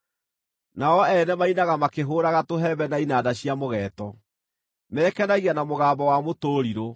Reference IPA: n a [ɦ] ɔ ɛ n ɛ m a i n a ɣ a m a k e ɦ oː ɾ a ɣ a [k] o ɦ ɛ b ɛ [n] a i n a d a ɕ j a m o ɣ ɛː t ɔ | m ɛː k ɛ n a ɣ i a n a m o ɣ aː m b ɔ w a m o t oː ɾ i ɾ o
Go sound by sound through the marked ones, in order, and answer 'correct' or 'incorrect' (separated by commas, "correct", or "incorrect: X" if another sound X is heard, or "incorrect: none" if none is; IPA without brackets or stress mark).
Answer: incorrect: none, incorrect: t, correct